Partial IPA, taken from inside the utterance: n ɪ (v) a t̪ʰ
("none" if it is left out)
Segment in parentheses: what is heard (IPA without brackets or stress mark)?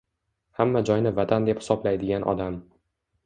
v